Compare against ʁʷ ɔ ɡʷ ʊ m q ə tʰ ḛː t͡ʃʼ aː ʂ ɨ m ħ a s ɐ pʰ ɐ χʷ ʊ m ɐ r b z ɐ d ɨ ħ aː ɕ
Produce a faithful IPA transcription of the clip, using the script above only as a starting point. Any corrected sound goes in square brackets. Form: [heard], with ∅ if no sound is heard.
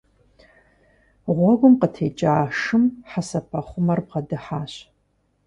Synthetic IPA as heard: ʁʷ ɔ ɡʷ ʊ m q ə tʰ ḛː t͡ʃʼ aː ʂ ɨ m ħ a s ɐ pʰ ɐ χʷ ʊ m ɐ r b [ʁ] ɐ d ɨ ħ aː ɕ